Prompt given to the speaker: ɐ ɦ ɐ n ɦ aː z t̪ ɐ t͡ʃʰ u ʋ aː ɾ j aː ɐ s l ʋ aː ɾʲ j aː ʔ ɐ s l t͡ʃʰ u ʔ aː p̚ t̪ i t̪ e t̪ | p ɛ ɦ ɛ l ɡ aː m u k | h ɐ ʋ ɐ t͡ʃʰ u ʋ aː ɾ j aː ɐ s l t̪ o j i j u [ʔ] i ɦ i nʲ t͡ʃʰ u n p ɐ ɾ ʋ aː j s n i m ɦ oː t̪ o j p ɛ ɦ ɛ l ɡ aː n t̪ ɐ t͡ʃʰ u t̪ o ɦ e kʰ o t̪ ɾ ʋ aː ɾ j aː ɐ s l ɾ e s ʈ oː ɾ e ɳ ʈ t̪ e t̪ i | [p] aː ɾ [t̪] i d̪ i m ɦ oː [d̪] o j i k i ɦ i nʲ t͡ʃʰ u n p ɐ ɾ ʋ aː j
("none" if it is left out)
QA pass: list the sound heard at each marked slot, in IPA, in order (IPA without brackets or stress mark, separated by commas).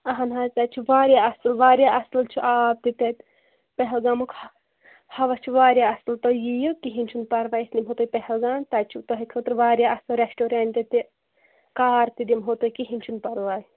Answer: k, k, t̪, t̪